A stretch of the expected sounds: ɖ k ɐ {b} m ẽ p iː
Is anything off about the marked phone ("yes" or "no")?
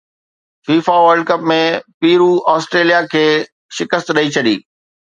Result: yes